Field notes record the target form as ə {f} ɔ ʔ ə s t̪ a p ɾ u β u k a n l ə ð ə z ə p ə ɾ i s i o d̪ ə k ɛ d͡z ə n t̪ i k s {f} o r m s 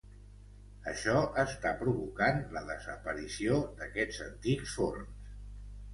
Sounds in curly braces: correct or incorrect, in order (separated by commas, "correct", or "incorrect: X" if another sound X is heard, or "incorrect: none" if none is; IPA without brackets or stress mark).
incorrect: ʃ, correct